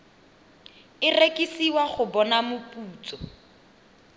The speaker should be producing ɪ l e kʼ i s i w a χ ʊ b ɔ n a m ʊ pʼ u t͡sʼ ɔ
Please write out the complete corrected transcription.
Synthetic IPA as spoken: ɪ r e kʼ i s i w a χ ʊ b ɔ n a m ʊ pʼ uː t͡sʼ ɔ